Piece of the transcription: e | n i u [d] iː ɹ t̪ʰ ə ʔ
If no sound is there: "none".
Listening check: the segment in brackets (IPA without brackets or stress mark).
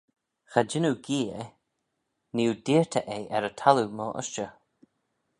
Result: d